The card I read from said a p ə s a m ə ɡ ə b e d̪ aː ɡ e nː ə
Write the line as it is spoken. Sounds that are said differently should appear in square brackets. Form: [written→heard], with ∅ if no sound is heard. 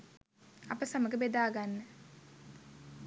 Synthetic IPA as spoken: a p ə s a m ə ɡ ə b e d̪ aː ɡ [e→a] nː ə